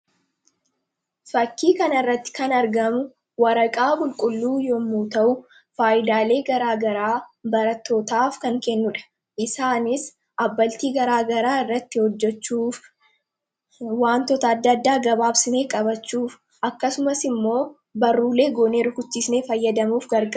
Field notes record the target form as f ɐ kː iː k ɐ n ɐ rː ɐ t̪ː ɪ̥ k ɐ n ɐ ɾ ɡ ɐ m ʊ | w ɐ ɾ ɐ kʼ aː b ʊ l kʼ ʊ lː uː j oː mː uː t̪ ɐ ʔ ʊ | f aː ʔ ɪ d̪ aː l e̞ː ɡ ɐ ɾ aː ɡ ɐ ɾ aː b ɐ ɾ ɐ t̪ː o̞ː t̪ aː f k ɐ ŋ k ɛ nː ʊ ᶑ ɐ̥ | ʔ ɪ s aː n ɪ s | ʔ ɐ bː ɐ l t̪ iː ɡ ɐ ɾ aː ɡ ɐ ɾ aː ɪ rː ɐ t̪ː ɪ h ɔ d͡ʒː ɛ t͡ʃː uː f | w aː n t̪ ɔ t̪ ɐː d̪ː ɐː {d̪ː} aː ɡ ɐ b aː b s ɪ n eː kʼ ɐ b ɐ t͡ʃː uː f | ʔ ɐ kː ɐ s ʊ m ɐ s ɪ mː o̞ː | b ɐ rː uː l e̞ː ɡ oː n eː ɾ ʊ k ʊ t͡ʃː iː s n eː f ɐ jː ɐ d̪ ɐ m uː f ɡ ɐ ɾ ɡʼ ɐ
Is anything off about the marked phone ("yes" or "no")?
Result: no